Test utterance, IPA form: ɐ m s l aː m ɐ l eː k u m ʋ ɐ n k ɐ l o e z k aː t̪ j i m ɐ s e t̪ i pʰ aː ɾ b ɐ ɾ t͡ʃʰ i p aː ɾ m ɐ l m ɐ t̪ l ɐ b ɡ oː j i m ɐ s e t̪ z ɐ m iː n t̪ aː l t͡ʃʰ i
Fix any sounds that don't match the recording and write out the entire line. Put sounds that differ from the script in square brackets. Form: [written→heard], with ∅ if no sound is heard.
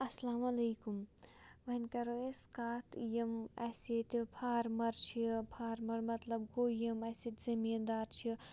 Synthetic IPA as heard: ɐ [m→∅] s l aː m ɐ l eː k u m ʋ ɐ n k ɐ [l→ɾ] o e [z→s] k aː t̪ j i m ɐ s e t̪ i pʰ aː ɾ [b→m] ɐ ɾ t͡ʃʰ i [p→pʰ] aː ɾ m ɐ [l→ɾ] m ɐ t̪ l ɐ b ɡ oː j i m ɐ s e t̪ z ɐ m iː n [t̪→d̪] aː [l→ɾ] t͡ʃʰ i

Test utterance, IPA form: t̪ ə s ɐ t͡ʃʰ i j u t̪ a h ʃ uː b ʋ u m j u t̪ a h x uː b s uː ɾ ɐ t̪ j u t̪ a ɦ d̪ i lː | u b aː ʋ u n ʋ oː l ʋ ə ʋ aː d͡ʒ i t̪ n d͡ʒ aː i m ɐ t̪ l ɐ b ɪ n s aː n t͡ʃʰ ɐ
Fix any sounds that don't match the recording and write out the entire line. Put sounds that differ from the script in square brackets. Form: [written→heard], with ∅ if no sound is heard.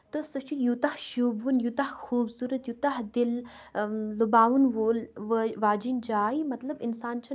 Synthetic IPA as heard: t̪ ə s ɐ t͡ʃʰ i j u t̪ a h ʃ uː b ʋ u [m→n] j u t̪ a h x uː b s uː ɾ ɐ t̪ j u t̪ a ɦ d̪ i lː | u b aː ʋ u n ʋ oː l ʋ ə ʋ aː d͡ʒ i [t̪→∅] n d͡ʒ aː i m ɐ t̪ l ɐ b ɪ n s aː n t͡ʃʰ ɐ

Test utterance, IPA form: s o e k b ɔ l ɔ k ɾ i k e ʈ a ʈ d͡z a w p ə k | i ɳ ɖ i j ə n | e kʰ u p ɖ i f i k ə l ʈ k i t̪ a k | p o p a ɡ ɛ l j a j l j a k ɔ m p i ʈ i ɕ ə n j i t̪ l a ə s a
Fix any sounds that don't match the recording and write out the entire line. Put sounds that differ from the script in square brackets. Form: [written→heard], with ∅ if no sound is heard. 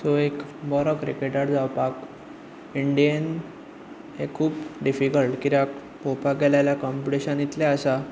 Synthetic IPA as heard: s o e k b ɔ [l→ɾ] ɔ k ɾ i k e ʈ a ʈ d͡z a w p [ə→a] k | i ɳ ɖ i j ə n | e kʰ [u→uː] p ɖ i f i k ə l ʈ k i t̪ a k | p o p a ɡ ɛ l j a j l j a k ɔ m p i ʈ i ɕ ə n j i t̪ l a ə s a

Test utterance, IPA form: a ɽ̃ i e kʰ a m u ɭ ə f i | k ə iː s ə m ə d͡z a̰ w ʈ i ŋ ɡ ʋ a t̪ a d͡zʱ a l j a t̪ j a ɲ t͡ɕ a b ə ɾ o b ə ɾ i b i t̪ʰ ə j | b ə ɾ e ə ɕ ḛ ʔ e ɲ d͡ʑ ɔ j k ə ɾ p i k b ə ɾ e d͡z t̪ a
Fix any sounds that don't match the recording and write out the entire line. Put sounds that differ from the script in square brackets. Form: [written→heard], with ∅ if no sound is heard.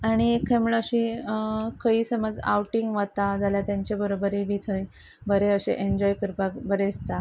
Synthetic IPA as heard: a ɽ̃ i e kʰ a m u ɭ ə [f→ɕ] i | k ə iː s ə m ə d͡z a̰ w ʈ i ŋ ɡ ʋ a t̪ a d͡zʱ a l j a t̪ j a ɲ t͡ɕ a b ə ɾ o b ə ɾ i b i t̪ʰ ə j | b ə ɾ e ə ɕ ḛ ʔ e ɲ d͡ʑ ɔ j k ə ɾ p [i→a] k b ə ɾ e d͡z t̪ a

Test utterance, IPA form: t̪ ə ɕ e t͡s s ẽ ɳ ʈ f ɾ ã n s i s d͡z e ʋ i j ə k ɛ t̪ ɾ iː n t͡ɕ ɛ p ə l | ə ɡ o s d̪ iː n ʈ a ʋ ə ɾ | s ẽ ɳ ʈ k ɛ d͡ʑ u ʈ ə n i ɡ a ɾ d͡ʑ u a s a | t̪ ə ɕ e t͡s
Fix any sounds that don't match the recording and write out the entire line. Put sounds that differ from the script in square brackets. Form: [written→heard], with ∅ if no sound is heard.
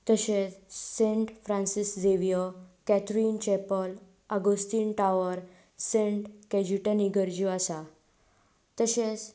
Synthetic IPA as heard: t̪ ə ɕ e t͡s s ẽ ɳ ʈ f ɾ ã n s i s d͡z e ʋ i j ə k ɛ t̪ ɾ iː n t͡ɕ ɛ p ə l | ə ɡ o s [d̪→t̪] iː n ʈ a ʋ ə ɾ | s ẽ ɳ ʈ k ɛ d͡ʑ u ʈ ə n i ɡ [a→ə] ɾ d͡ʑ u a s a | t̪ ə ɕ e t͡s

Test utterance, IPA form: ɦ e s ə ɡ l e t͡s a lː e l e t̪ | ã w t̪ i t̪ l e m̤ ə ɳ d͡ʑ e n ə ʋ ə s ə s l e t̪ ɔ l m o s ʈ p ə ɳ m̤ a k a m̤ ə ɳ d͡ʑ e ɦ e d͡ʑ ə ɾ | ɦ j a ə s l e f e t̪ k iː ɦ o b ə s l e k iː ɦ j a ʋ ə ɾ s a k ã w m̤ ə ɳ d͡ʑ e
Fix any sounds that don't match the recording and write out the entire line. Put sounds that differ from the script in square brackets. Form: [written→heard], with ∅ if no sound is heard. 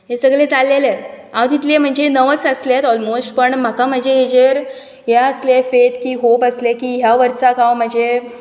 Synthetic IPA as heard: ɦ e s ə ɡ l e t͡s a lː e l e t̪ | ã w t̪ i t̪ l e m̤ ə ɳ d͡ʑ e n ə ʋ ə s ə s l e t̪ ɔ l m o s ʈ p ə ɳ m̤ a k a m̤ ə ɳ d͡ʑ e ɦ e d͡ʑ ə ɾ | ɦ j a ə s l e f e t̪ k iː ɦ o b ə s l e k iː ɦ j a ʋ ə ɾ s a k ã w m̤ ə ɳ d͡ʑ e

